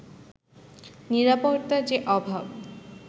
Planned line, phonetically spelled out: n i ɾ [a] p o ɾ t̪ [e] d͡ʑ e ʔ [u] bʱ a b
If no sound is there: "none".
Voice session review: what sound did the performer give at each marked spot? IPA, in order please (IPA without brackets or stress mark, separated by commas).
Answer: a, a, ɔ